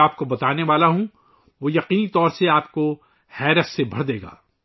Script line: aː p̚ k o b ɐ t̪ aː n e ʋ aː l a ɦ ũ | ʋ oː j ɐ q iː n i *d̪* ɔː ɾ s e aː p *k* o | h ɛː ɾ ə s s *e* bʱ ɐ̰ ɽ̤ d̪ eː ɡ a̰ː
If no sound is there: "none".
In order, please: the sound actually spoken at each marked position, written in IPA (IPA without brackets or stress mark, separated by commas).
t̪, k, e